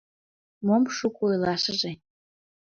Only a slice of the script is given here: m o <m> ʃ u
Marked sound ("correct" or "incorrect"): correct